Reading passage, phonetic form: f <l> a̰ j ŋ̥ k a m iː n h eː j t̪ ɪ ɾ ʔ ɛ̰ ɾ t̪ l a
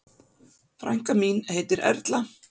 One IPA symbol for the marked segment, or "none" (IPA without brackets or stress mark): ɾ